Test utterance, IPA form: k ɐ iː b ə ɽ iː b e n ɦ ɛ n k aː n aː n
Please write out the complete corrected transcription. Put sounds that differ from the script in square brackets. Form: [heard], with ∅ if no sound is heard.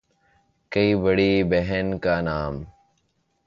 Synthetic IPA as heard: k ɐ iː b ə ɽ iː b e [∅] ɦ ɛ n k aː n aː [m]